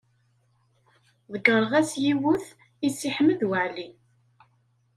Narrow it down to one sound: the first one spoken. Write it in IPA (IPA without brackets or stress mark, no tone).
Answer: ð